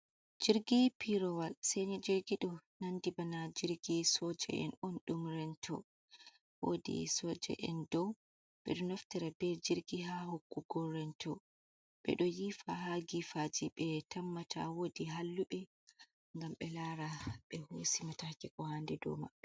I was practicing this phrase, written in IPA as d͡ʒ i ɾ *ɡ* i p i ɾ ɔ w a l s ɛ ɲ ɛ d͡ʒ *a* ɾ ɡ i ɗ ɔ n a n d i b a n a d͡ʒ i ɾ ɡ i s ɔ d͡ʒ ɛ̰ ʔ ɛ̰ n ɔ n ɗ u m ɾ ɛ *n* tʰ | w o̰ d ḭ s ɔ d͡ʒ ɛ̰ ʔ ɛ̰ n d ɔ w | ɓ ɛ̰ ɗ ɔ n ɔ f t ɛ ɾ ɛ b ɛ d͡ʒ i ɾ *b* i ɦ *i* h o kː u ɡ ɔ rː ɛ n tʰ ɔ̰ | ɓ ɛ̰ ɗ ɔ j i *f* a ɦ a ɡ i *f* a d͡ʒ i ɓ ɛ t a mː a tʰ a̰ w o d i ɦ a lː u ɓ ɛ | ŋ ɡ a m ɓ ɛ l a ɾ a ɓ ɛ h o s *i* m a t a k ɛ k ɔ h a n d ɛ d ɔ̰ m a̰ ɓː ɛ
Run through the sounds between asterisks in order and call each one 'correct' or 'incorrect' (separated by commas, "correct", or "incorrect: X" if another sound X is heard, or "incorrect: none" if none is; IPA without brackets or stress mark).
correct, incorrect: i, correct, incorrect: ɡ, incorrect: a, correct, correct, correct